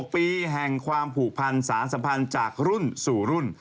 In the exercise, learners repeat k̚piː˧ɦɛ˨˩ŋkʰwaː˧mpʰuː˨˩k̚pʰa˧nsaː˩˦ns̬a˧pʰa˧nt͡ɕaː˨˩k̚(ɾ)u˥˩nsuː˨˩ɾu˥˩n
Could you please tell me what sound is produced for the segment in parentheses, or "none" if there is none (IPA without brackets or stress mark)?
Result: ɾ